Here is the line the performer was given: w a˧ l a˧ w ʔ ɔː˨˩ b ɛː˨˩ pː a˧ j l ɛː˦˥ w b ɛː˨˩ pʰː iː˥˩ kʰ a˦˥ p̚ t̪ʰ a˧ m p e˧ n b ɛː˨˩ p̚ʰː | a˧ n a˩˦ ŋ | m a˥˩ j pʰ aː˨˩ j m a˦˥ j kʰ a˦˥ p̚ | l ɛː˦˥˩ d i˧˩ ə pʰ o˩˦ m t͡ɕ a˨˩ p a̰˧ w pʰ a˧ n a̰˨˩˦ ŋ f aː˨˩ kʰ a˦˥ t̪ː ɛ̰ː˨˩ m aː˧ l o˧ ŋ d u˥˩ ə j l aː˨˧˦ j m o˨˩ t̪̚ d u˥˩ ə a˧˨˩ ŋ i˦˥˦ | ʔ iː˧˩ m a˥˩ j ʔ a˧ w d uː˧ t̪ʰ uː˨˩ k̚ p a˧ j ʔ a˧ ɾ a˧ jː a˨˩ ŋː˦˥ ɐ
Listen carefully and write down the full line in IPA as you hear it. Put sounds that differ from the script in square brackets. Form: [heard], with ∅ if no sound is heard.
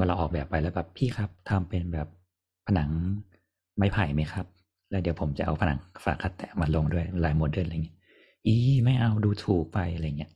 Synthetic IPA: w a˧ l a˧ w ʔ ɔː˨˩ b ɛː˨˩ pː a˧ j l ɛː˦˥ w b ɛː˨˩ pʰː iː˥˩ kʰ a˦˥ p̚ t̪ʰ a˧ m p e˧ n b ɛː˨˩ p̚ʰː | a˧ n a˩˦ ŋ | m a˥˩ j pʰ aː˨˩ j m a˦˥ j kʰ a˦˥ p̚ | l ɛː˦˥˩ d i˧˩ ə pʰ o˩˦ m t͡ɕ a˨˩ [ʔ] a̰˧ w pʰ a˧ n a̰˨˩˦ ŋ f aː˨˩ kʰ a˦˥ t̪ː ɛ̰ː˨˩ m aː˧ l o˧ ŋ d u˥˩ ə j l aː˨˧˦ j m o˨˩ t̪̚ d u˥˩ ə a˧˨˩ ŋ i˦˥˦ | ʔ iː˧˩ m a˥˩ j ʔ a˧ w d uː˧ t̪ʰ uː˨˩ k̚ p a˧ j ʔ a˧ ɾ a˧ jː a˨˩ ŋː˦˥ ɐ